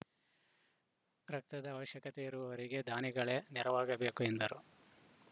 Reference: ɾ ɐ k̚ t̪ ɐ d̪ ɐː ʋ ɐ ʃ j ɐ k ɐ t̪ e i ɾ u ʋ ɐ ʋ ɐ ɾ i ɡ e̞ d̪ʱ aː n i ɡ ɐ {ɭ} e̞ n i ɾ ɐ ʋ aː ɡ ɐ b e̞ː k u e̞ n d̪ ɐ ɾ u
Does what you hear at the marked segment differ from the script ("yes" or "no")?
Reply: no